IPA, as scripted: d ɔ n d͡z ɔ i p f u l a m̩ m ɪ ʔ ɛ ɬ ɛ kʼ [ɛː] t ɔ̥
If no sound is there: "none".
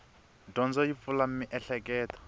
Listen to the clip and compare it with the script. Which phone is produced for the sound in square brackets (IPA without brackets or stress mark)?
ɛː